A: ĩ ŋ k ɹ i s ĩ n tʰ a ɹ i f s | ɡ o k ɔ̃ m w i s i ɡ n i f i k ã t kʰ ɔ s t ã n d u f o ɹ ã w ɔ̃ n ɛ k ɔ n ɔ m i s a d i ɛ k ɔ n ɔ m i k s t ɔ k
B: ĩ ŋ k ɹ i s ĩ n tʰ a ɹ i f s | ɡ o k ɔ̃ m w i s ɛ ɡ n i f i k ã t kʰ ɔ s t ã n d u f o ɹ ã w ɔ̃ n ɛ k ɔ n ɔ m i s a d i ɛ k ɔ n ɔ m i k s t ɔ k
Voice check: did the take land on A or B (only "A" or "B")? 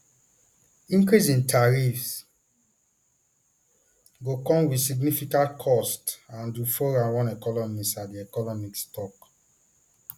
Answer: A